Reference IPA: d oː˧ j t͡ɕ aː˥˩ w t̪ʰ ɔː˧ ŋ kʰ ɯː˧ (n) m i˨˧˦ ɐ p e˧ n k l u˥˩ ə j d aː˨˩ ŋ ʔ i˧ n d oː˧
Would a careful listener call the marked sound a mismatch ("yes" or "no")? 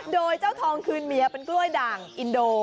no